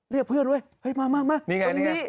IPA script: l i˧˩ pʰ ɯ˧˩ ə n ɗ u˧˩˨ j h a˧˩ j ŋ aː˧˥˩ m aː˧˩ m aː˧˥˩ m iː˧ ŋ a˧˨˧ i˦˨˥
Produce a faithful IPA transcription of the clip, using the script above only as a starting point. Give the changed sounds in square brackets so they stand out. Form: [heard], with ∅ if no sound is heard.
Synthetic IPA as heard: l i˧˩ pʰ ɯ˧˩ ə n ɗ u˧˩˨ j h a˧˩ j [m] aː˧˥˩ m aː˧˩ m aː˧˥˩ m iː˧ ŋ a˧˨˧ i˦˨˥